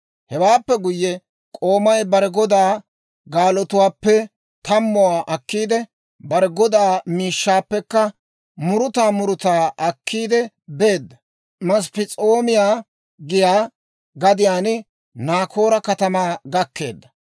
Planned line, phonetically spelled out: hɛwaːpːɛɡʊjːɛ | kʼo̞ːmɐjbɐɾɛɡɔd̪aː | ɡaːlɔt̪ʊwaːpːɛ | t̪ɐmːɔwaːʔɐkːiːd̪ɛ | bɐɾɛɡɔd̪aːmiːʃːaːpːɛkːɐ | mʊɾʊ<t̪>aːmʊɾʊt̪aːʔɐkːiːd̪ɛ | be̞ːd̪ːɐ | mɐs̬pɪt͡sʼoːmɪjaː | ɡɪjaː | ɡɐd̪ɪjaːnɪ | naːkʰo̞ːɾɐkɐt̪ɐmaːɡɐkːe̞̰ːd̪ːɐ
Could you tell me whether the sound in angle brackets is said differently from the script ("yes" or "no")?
no